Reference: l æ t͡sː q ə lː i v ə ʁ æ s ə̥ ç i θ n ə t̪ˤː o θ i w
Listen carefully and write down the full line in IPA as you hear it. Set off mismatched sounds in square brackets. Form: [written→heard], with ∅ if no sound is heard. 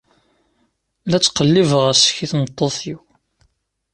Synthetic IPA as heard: l æ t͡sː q ə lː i v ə ʁ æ s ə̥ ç i θ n ə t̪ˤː o θ i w